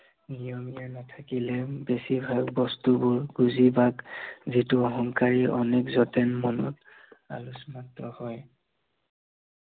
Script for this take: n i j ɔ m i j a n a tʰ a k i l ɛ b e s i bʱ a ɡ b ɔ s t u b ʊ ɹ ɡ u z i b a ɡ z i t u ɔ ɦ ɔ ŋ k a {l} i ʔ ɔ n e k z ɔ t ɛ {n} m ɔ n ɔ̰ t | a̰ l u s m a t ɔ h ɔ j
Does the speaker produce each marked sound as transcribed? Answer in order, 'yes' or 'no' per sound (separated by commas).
no, yes